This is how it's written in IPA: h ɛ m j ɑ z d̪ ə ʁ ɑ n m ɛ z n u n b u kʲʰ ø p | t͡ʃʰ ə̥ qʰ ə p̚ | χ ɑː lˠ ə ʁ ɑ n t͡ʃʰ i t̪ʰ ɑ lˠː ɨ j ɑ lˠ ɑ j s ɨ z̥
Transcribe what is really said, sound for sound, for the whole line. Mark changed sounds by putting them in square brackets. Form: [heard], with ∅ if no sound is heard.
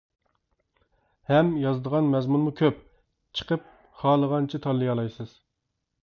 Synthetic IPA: h ɛ m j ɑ z d̪ ə ʁ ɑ n m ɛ z [m] u n [m] u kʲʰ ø p | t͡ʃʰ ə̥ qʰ ə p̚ | χ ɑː lˠ ə ʁ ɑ n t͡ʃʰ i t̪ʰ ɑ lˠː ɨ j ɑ lˠ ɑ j s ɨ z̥

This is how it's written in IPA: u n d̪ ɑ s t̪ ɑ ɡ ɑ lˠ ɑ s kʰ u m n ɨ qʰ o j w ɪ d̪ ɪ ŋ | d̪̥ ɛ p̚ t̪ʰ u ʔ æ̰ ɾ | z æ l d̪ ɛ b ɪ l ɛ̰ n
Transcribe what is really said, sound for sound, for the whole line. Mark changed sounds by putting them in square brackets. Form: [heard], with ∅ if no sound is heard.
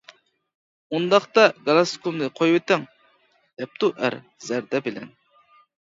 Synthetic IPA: u n d̪ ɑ [χ] t̪ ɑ ɡ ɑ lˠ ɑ s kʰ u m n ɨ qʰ o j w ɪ [t̪] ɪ ŋ | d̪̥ ɛ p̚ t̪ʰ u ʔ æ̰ ɾ | z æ [ɾ] d̪ ɛ b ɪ l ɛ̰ n

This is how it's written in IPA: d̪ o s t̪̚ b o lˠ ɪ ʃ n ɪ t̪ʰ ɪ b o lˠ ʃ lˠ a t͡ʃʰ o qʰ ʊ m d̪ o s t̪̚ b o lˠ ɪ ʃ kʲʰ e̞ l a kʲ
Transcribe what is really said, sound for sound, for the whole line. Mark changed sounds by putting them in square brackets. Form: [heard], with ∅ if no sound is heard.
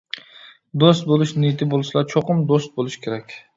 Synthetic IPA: d̪ o s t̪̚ b o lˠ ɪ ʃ n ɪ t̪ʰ ɪ b o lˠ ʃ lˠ a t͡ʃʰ o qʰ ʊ m d̪ o s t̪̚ b o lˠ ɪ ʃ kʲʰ e̞ [ɾ] a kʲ

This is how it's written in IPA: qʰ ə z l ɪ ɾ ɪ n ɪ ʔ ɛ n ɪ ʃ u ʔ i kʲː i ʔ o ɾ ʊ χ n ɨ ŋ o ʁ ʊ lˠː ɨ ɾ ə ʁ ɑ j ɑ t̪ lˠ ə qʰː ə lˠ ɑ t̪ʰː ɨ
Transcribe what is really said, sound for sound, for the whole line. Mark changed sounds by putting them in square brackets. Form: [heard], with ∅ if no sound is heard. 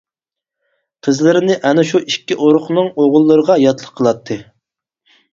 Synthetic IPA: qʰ ə z l ɪ ɾ ɪ n ɪ ʔ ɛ n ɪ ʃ u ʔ i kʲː i ʔ o ɾ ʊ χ n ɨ ŋ o ʁ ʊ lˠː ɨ ɾ ə ʁ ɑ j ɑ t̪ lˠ ə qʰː ə lˠ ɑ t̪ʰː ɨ

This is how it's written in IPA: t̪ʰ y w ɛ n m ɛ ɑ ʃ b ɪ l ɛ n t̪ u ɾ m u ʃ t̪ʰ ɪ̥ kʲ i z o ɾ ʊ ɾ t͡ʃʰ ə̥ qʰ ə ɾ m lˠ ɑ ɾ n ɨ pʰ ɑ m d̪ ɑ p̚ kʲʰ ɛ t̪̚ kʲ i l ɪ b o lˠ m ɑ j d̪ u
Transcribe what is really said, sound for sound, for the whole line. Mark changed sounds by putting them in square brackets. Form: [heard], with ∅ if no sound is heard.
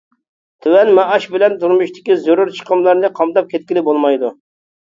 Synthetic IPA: t̪ʰ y w ɛ n m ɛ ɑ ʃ b ɪ l ɛ n t̪ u ɾ m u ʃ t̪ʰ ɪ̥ kʲ i z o ɾ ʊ ɾ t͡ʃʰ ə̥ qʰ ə [∅] m lˠ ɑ ɾ n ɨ [qʰ] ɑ m d̪ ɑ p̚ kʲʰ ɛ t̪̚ kʲ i l ɪ b o lˠ m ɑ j d̪ u

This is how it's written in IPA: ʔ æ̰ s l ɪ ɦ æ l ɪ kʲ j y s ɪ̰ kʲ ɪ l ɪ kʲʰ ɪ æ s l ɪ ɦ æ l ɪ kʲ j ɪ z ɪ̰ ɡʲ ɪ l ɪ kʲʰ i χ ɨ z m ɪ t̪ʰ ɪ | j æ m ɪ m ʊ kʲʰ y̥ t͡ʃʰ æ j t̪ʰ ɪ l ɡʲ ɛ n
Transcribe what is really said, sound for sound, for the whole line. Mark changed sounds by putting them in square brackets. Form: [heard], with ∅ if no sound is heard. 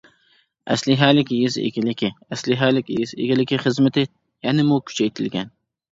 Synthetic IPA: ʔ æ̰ s l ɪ ɦ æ l ɪ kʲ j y [z] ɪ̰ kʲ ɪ l ɪ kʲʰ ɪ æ s l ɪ ɦ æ l ɪ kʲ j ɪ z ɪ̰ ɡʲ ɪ l ɪ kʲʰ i χ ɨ z m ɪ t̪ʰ ɪ | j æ [n] ɪ m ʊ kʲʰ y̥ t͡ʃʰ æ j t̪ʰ ɪ l ɡʲ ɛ n

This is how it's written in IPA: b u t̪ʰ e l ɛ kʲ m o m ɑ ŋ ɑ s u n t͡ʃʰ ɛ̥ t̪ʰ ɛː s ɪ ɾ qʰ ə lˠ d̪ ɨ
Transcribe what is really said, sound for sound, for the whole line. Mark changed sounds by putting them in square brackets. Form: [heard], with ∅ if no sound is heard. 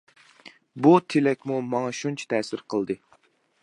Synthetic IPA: b u t̪ʰ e l ɛ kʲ m [u] m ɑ ŋ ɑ [ʃ] u n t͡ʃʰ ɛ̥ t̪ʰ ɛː s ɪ ɾ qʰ ə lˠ d̪ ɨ

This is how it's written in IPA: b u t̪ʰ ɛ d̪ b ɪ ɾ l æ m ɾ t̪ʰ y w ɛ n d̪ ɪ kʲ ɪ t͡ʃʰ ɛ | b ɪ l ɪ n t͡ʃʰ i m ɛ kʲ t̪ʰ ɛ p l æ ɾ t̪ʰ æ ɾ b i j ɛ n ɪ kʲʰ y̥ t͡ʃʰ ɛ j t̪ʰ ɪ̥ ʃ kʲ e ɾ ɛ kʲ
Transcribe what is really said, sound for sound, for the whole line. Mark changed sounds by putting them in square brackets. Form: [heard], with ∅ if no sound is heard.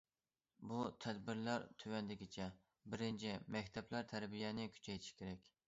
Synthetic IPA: b u t̪ʰ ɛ d̪ b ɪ ɾ l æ [∅] ɾ t̪ʰ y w ɛ n d̪ ɪ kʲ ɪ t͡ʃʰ ɛ | b ɪ [ɾ] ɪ n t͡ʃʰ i m ɛ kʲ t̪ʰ ɛ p l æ ɾ t̪ʰ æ ɾ b i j ɛ n ɪ kʲʰ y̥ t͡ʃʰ ɛ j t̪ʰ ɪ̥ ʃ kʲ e ɾ ɛ kʲ

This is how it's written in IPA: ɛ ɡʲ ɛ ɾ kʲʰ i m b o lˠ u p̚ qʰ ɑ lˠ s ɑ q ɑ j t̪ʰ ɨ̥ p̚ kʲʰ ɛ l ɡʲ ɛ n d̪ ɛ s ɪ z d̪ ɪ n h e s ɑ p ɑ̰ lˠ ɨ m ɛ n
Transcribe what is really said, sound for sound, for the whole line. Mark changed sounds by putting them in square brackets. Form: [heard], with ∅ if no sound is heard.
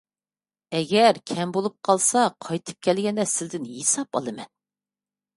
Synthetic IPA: ɛ ɡʲ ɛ ɾ kʲʰ [ɛ] m b o lˠ u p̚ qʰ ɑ lˠ s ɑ [qʰ] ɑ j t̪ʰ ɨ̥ p̚ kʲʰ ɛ l ɡʲ ɛ n d̪ ɛ s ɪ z d̪ ɪ n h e s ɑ p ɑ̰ lˠ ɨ m ɛ n

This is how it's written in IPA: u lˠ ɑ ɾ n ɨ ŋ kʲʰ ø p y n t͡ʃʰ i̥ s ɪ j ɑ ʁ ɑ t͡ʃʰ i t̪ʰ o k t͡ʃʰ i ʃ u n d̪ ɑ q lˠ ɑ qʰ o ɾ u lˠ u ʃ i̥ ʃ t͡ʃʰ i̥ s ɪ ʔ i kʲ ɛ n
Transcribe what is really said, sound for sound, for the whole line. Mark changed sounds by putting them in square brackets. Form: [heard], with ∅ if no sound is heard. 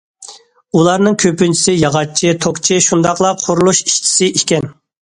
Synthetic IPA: u lˠ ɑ ɾ n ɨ ŋ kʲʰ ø p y n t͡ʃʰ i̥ s ɪ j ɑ ʁ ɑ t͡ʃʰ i t̪ʰ o k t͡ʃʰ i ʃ u n d̪ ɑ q lˠ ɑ qʰ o ɾ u lˠ u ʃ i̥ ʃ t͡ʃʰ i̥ s ɪ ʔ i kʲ ɛ n

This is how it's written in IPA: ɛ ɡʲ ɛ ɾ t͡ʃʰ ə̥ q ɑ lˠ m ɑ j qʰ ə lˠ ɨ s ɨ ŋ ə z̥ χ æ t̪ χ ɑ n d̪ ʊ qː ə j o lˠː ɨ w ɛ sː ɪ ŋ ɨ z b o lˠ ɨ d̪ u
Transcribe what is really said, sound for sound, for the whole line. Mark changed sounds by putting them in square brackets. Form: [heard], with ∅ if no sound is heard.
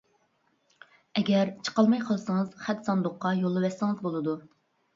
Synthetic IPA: ɛ ɡʲ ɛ ɾ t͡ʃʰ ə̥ q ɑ lˠ m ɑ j qʰ ə lˠ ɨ s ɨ ŋ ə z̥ χ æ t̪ [s] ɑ n d̪ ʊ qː [ɑ] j o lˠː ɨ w ɛ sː ɪ ŋ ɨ z b o lˠ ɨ d̪ u

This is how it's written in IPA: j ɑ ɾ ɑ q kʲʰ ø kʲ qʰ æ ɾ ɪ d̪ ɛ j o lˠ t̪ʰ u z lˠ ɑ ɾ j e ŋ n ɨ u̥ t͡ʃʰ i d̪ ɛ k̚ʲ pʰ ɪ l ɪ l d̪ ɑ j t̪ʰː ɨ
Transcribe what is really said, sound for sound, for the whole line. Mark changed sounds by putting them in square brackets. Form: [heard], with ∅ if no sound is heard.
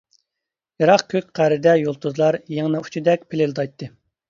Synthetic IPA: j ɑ ɾ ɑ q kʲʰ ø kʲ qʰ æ ɾ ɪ d̪ ɛ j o lˠ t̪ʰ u z lˠ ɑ ɾ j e ŋ n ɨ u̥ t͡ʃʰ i d̪ ɛ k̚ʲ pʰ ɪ l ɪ l d̪ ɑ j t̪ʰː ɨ

